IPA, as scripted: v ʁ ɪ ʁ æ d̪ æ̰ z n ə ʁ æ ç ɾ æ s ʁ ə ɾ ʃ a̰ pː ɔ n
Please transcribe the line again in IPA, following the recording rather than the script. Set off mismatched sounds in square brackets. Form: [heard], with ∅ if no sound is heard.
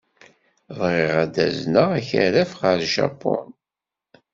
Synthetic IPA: v ʁ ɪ ʁ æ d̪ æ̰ z n ə ʁ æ ç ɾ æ [f] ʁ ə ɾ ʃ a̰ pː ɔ n

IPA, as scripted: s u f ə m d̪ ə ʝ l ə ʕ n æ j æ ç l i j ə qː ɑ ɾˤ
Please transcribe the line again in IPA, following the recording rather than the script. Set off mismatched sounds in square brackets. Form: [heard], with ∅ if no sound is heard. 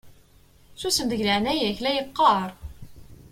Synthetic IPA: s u [s] ə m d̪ ə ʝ l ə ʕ n æ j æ ç l [æ] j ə qː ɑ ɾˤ

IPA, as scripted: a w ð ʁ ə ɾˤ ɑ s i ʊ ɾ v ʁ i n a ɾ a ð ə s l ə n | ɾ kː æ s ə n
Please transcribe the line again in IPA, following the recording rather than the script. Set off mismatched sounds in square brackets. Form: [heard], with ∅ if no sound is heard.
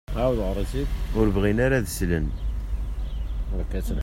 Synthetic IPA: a w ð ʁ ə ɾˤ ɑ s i ʊ ɾ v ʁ i n a ɾ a ð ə s l ə n | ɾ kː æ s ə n

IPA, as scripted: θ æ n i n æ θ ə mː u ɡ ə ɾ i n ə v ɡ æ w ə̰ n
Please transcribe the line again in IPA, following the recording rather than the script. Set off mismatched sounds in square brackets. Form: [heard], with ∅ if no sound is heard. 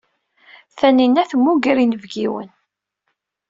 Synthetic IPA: θ æ n i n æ θ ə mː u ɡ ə ɾ i n ə v ɡ [i] w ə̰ n

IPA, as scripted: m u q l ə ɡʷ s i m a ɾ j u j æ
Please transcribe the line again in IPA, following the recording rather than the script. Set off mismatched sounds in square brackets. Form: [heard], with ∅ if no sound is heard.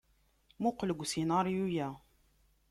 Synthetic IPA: m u q l ə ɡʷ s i [n] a ɾ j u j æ

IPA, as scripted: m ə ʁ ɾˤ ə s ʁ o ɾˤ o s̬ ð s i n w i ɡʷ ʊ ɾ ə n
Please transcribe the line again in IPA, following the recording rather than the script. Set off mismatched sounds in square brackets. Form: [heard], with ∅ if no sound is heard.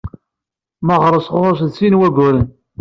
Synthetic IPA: m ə ʁ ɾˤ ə s ʁ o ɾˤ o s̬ ð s i n w [æ] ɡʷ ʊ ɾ ə n

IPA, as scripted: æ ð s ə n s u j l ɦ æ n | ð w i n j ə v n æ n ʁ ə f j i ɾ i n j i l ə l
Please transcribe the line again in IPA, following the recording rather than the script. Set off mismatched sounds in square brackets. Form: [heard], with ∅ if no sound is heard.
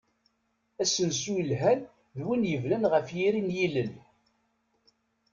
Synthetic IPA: æ [∅] s ə n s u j l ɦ æ n | ð w i n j ə v n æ n ʁ ə f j i ɾ i n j i l ə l

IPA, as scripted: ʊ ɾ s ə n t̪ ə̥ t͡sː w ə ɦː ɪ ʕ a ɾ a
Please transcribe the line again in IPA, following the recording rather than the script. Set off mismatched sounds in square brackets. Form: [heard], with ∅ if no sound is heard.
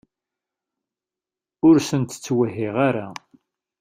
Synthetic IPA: ʊ ɾ s ə n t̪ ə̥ t͡sː w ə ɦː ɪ [ʁ] a ɾ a

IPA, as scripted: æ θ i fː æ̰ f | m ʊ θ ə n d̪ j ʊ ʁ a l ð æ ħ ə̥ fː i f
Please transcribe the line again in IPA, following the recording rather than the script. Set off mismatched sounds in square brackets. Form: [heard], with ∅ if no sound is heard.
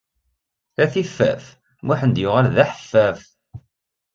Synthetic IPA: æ θ i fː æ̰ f | m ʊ [ħ] ə n d̪ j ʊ ʁ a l ð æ ħ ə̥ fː [æ] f

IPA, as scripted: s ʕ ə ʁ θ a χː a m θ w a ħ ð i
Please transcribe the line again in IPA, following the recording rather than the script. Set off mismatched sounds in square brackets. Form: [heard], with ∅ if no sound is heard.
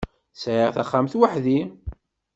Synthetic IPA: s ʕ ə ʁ θ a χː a m θ w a ħ ð i

